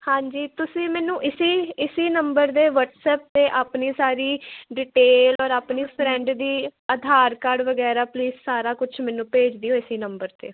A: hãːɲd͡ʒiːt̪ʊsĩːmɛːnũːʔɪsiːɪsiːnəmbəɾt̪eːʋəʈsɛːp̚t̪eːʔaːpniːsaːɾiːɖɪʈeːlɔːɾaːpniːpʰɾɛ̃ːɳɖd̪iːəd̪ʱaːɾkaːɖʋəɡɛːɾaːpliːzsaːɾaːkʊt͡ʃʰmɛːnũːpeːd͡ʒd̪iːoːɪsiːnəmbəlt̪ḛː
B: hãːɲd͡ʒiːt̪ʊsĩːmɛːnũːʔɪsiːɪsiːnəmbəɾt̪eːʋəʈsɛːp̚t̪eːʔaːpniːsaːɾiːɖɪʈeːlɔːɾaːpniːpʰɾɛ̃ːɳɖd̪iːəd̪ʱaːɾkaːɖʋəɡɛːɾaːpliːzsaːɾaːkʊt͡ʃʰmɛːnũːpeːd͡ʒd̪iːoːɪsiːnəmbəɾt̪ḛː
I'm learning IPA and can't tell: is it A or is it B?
B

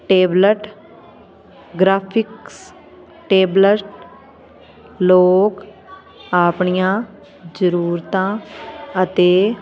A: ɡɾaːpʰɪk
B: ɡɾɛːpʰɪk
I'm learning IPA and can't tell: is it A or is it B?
A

